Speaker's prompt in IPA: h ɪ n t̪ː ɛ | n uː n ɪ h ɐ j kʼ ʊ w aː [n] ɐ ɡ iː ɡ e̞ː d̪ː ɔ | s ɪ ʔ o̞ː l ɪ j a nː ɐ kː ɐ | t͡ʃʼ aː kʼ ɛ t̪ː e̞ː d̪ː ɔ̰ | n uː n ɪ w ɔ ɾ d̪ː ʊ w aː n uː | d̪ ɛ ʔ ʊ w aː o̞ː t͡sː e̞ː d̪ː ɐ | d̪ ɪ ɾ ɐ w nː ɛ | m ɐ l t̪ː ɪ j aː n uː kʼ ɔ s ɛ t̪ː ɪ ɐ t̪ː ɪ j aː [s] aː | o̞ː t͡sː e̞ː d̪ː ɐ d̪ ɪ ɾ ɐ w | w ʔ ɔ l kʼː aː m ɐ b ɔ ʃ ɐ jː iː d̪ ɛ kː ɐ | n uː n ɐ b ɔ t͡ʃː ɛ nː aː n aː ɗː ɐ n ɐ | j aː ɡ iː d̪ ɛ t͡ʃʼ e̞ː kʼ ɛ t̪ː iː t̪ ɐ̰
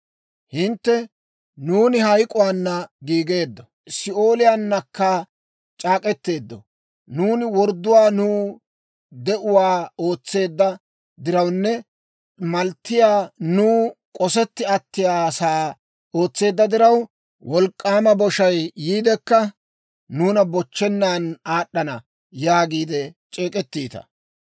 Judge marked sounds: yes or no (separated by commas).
no, yes